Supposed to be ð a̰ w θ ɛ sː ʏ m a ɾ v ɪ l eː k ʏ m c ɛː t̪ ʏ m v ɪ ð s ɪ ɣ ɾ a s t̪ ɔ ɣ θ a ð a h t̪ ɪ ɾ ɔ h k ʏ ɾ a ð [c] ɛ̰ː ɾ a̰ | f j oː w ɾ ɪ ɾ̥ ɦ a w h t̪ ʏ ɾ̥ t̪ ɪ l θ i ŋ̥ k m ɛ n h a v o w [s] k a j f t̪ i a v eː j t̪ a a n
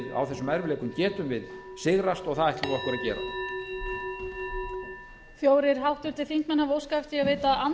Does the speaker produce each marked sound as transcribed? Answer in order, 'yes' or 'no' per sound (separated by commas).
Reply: yes, yes